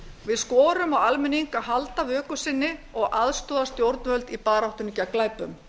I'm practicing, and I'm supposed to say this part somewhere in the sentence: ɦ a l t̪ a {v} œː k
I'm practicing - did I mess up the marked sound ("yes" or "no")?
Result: no